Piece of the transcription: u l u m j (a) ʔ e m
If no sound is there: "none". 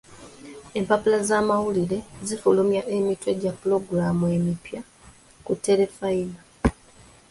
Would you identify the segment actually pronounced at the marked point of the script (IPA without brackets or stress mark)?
a